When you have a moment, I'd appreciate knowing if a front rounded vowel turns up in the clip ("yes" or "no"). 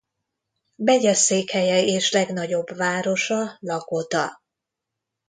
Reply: no